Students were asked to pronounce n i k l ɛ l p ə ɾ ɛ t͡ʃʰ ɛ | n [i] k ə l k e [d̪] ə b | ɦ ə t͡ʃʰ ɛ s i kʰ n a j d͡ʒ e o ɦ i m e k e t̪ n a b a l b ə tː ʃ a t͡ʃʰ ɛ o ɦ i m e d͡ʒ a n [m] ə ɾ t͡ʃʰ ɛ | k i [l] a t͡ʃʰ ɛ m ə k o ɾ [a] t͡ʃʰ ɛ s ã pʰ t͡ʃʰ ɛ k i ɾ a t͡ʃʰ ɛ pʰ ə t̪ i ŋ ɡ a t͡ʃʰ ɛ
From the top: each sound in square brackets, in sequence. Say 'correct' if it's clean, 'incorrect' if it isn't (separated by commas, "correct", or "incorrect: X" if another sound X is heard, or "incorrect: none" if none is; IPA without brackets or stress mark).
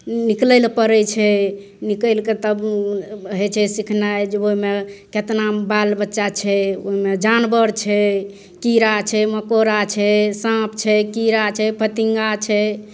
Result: correct, incorrect: t̪, incorrect: b, incorrect: ɾ, correct